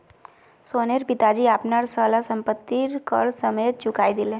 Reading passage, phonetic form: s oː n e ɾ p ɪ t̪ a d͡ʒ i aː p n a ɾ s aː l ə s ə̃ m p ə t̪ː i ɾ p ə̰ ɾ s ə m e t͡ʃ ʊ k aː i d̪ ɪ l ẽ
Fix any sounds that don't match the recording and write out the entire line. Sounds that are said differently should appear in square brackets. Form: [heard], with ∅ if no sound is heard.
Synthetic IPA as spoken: s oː n e ɾ p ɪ t̪ a d͡ʒ i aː p n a ɾ s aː l [a] s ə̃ m p ə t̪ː i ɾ [k] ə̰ ɾ s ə m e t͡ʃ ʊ k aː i d̪ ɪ l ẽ